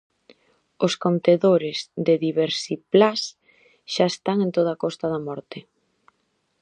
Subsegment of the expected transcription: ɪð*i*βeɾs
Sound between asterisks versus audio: correct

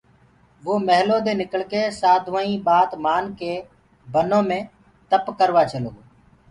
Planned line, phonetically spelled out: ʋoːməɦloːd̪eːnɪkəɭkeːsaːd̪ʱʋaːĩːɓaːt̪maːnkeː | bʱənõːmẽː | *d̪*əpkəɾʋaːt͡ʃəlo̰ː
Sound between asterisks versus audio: incorrect: t̪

